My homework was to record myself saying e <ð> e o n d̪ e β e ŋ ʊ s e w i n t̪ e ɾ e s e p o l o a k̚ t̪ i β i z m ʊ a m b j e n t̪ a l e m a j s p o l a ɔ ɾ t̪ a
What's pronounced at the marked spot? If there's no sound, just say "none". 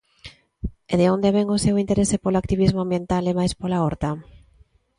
ð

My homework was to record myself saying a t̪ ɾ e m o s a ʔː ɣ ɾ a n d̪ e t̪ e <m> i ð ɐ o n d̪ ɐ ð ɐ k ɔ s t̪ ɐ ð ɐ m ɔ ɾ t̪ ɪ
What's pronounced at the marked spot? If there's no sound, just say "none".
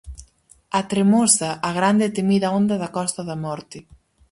m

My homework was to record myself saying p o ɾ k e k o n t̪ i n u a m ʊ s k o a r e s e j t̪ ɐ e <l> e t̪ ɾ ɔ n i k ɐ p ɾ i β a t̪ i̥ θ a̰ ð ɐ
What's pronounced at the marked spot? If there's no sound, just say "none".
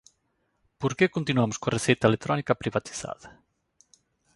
l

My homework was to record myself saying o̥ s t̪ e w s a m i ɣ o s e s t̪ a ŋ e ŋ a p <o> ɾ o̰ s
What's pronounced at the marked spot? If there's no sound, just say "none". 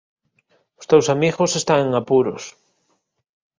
u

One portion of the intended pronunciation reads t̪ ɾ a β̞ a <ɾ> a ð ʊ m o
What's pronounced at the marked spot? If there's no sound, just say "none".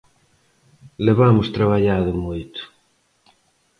ʎ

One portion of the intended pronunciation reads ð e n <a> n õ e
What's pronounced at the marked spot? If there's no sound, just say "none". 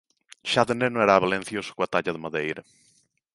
e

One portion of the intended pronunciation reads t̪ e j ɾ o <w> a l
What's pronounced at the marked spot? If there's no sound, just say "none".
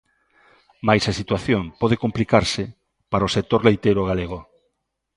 ɣ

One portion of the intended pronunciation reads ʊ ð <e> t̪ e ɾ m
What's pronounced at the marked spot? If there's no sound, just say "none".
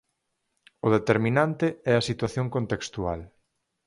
e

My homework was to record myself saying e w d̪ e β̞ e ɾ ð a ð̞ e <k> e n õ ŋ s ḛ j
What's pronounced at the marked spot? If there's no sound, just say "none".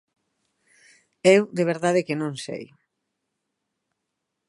k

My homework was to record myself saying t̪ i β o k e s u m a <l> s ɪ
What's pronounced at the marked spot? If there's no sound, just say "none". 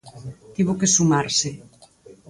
ɾ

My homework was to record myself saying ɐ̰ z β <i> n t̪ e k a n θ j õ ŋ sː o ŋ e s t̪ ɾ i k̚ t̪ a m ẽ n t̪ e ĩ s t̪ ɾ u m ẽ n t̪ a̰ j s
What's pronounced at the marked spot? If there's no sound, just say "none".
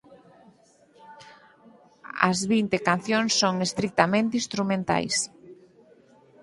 i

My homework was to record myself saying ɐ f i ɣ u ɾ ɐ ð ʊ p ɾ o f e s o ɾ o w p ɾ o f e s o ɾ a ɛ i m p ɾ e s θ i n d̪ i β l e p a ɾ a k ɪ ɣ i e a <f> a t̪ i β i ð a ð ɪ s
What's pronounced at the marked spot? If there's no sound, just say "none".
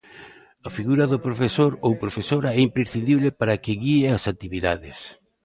s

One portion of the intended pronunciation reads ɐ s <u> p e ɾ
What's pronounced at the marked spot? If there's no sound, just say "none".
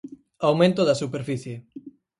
u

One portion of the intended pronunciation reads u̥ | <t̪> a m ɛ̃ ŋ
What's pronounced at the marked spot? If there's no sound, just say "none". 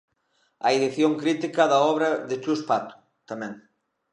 t̪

